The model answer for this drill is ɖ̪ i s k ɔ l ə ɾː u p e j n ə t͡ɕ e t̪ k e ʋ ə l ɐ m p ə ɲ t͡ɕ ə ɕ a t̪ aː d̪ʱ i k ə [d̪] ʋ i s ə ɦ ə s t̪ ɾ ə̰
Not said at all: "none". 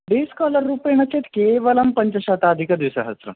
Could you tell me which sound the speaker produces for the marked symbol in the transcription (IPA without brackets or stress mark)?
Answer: d̪